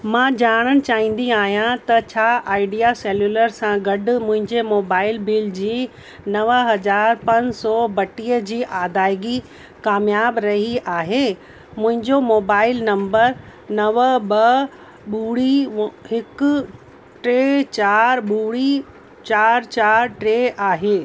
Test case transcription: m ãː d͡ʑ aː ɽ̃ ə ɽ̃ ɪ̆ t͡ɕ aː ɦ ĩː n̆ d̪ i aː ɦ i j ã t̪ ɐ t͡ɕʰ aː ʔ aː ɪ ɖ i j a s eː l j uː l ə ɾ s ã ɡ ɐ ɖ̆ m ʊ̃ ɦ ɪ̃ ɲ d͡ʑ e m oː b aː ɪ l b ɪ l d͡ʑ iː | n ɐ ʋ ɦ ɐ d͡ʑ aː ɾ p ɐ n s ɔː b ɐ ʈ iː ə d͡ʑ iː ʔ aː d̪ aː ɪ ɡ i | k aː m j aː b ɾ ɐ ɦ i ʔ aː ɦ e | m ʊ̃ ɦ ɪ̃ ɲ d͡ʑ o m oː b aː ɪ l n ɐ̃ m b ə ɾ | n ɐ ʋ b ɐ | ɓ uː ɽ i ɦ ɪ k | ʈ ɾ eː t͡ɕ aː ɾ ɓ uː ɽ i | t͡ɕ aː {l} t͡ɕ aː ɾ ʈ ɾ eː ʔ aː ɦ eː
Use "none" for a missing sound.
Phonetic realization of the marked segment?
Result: ɾ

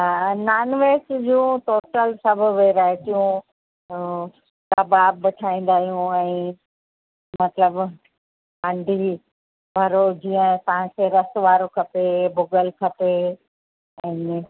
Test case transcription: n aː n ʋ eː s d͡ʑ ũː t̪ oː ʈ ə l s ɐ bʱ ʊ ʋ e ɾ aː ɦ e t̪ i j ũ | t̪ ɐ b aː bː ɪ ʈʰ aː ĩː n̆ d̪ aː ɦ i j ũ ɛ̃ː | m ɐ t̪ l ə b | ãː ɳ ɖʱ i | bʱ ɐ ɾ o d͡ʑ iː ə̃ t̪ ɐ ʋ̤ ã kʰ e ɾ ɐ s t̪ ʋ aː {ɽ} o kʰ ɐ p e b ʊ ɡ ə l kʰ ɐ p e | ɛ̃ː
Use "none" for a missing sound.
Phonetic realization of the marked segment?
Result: ɾ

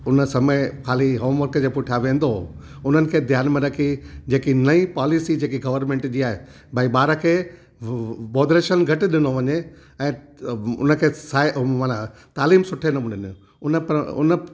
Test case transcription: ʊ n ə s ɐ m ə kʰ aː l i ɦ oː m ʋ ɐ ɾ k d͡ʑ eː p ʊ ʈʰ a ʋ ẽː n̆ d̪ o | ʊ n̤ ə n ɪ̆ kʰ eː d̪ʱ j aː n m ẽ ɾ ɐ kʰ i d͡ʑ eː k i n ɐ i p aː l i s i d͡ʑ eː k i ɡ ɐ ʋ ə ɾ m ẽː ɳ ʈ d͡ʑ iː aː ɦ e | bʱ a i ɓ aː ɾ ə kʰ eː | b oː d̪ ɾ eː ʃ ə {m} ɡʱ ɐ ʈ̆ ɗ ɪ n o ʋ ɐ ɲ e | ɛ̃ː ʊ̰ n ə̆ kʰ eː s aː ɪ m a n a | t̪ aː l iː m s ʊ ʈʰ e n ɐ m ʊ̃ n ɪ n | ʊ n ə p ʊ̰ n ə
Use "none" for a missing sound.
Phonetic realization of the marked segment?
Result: n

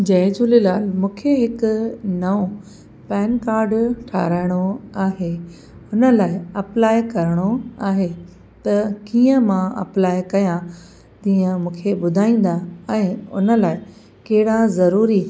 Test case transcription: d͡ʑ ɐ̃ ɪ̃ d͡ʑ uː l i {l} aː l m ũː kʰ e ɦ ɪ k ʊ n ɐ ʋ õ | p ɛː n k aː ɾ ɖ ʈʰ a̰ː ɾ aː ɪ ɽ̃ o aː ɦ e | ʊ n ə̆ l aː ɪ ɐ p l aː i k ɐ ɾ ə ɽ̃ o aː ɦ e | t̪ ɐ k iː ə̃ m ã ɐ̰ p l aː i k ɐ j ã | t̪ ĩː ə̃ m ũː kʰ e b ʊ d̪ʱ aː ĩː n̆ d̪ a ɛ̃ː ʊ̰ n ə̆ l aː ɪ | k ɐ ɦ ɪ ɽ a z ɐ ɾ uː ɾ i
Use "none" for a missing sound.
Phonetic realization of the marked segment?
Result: l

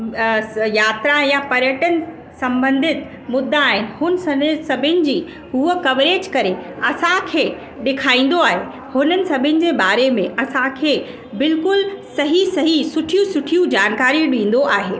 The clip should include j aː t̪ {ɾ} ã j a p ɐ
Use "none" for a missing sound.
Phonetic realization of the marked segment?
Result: ɾ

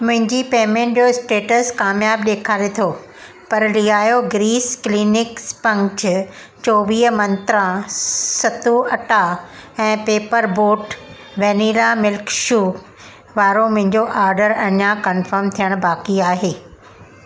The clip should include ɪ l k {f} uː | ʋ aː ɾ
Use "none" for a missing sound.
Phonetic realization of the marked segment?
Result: ʃ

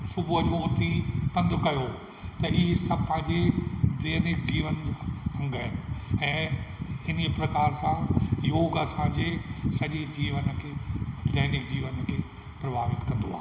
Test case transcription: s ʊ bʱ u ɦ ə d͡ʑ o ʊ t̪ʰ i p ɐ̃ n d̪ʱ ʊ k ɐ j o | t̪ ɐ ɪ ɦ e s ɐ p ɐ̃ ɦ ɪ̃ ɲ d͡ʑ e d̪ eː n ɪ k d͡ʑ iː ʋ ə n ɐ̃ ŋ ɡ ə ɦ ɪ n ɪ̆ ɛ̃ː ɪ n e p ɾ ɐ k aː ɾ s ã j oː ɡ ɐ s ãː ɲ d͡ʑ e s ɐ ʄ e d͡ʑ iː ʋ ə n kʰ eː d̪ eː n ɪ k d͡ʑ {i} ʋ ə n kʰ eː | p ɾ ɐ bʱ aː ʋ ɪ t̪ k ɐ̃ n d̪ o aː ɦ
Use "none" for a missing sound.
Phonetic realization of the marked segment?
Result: iː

